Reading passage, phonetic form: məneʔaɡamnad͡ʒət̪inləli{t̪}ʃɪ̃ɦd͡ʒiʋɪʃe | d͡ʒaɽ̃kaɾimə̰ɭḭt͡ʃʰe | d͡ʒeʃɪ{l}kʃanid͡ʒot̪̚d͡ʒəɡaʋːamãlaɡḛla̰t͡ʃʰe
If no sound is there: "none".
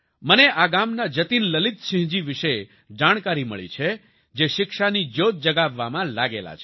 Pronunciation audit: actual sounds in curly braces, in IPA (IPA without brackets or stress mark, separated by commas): t̪, none